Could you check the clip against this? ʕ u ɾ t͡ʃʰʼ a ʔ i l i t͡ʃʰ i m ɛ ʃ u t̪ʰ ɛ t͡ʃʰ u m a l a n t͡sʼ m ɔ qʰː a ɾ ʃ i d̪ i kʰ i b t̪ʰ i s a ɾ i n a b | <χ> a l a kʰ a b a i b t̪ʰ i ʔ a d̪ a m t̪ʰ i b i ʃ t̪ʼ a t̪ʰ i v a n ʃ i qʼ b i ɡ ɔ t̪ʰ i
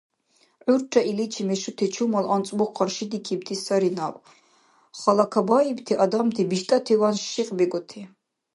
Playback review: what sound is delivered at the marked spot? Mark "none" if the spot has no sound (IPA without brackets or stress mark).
χ